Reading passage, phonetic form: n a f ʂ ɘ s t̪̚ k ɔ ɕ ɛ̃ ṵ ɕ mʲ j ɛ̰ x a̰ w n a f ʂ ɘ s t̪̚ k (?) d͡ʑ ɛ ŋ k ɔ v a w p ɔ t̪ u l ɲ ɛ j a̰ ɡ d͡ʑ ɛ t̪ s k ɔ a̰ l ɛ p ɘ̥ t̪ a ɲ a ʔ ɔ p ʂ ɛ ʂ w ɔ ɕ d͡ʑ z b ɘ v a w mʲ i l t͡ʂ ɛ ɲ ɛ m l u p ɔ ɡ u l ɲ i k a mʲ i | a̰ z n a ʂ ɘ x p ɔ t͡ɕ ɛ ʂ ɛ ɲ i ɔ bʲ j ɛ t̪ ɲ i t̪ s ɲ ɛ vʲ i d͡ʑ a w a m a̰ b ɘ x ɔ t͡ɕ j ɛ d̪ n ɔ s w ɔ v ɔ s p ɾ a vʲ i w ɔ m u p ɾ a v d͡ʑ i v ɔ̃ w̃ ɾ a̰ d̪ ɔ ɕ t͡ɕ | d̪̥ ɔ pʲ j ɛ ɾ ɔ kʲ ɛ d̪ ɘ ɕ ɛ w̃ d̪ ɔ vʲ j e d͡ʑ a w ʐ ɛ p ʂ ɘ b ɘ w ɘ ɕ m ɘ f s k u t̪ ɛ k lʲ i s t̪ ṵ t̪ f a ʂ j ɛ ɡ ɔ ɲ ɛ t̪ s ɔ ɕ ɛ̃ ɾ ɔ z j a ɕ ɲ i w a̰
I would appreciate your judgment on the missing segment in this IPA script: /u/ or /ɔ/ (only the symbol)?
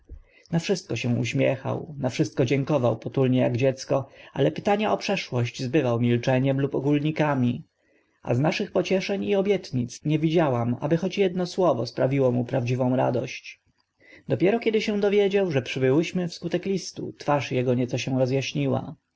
ɔ